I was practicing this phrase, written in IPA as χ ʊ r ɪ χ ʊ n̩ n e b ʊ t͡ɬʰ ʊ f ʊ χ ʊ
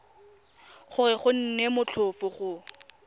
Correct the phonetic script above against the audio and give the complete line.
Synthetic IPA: χ ʊ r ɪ χ ʊ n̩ n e m ʊ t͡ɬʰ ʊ f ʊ χ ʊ